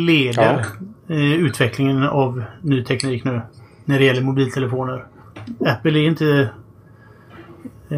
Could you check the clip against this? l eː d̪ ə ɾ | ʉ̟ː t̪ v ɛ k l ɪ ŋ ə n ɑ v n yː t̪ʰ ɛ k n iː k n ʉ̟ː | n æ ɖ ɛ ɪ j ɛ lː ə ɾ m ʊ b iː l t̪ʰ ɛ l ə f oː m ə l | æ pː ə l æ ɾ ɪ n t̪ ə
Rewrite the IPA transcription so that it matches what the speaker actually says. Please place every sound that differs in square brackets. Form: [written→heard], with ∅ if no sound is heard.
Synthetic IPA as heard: l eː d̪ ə ɾ | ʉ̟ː t̪ v ɛ k l ɪ ŋ ə n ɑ v n yː t̪ʰ ɛ k n iː k n ʉ̟ː | n æ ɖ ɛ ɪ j ɛ lː ə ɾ m ʊ b iː l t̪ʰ ɛ l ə f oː [m→n] ə [l→ɾ] | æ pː ə l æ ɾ ɪ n t̪ ə